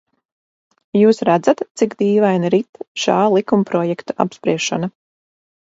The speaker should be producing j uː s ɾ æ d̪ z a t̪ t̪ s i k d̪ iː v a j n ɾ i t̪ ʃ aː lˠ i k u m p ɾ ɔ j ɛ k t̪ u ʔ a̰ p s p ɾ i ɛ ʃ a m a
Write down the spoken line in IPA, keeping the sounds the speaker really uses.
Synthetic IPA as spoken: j uː s ɾ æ d̪ z a t̪ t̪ s i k d̪ iː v a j n ɾ i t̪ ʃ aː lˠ i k u m p ɾ ɔ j ɛ k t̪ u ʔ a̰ p s p ɾ i ɛ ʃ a n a